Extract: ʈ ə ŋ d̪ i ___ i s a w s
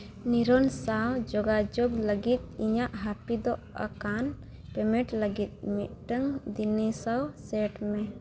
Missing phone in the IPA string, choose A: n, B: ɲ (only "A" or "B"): A